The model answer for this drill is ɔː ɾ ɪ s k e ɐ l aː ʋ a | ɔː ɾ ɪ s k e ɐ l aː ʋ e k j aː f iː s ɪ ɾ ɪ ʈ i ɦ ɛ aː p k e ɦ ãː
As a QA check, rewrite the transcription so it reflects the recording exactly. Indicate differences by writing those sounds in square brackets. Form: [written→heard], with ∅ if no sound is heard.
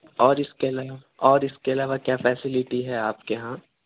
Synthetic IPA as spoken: ɔː ɾ ɪ s k e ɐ l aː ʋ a | ɔː ɾ ɪ s k e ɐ l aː ʋ [e→a] k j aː f [iː→ɛː] s ɪ [ɾ→l] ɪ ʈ i ɦ ɛ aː p k e ɦ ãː